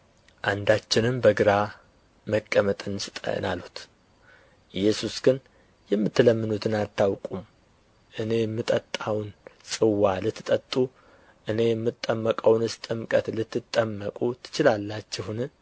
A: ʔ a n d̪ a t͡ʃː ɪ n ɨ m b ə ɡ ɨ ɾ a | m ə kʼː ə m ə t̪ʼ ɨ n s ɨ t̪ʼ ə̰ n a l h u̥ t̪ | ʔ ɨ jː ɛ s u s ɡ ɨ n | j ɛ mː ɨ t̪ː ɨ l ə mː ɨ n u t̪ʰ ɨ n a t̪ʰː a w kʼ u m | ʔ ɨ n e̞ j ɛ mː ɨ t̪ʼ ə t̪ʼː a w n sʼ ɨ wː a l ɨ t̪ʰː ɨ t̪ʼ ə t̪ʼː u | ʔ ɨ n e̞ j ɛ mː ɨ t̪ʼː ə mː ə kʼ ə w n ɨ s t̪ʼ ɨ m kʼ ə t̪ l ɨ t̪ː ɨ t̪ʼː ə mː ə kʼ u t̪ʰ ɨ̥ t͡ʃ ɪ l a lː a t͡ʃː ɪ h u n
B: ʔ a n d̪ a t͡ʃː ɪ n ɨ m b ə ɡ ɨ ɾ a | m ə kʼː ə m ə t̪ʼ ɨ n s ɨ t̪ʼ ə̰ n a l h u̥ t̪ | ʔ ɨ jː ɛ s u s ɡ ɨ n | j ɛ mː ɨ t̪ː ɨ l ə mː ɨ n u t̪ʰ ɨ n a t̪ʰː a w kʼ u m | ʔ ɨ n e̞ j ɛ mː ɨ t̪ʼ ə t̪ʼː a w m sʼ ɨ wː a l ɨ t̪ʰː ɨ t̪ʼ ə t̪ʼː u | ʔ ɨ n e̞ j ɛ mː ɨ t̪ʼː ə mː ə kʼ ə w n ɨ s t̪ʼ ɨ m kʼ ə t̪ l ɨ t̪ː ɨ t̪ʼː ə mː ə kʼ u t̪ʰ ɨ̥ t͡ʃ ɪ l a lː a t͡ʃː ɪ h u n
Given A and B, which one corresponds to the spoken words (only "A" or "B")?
A